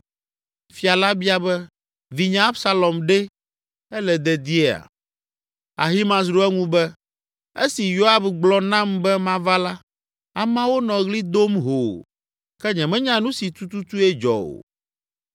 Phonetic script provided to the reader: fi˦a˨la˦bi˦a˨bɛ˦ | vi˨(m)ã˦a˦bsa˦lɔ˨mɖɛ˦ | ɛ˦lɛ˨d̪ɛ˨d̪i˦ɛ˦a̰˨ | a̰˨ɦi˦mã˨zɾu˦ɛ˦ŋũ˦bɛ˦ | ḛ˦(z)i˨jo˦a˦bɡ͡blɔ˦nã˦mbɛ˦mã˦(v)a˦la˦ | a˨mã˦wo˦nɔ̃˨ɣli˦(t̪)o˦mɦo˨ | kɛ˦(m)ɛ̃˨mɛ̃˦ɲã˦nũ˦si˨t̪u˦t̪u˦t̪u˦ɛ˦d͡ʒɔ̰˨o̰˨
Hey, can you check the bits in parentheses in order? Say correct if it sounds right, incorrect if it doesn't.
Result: incorrect: ɲ, incorrect: s, correct, incorrect: d̪, incorrect: ɲ

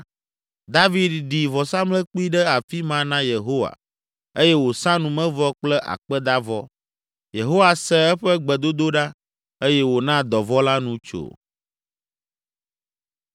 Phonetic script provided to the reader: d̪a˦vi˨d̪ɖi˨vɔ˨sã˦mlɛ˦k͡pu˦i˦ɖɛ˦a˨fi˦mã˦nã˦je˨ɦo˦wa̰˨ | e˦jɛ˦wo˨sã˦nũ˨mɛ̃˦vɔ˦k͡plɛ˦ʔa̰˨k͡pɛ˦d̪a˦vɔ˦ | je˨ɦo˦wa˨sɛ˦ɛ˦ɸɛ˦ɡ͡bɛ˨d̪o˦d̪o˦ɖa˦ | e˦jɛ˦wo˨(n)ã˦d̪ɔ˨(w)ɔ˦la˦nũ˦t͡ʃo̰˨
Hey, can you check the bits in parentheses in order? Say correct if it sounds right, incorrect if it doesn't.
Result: correct, incorrect: v

